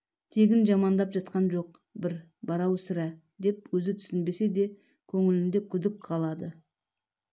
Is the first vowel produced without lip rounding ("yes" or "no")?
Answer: yes